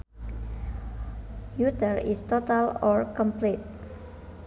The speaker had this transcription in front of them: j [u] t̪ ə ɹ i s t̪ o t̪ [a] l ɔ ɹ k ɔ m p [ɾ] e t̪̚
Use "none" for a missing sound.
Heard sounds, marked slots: u, a, l

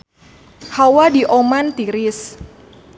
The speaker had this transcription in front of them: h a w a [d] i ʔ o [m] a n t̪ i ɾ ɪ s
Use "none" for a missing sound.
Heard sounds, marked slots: d, m

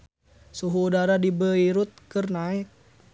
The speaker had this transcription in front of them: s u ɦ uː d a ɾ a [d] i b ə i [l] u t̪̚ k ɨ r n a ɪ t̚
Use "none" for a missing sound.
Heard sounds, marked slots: d, ɾ

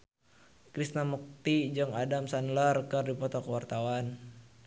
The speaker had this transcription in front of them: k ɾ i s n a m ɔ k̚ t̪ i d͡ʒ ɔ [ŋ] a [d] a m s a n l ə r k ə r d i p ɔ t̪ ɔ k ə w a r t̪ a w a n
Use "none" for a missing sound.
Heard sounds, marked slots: ŋ, d

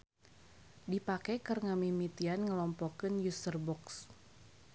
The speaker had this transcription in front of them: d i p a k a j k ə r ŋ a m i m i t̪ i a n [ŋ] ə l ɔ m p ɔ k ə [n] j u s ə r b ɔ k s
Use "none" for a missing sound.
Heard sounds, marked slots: ŋ, n

